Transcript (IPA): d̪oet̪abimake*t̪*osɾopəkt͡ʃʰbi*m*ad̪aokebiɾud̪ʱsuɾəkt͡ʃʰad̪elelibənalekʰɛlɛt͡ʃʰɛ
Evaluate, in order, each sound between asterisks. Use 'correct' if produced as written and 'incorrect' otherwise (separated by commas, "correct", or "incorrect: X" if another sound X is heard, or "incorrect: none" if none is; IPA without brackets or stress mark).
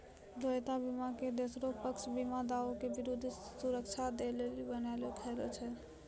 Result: incorrect: d̪, correct